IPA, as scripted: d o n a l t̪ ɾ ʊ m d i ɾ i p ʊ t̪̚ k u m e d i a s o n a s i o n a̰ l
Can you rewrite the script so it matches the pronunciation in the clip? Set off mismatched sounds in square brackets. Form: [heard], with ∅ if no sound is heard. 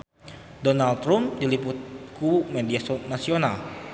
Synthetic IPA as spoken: d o n a l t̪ ɾ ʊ m d i [l] i p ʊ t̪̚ k u m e d i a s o n a s i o n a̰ l